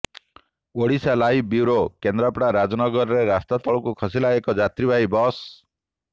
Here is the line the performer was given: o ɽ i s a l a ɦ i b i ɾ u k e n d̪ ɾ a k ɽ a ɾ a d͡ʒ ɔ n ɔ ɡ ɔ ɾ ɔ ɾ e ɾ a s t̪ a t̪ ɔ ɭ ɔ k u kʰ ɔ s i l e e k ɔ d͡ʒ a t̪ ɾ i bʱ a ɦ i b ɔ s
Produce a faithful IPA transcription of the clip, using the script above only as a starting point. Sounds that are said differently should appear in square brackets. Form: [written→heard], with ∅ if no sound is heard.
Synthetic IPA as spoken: o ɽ i s a l a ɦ i b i ɾ [u→o] k e n d̪ ɾ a [k→p] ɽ a ɾ a d͡ʒ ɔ n ɔ ɡ ɔ ɾ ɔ ɾ e ɾ a s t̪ a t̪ ɔ ɭ ɔ k u kʰ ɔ s i l [e→a] e k ɔ d͡ʒ a t̪ ɾ i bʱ a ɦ i b ɔ s